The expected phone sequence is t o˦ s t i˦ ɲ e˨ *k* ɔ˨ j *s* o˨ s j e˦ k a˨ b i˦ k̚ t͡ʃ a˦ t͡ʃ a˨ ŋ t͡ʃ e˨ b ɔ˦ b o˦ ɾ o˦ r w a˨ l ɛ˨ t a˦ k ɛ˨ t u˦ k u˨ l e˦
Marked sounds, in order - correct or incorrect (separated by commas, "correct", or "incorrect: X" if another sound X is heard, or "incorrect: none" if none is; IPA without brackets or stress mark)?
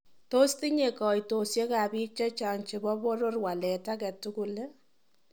correct, incorrect: t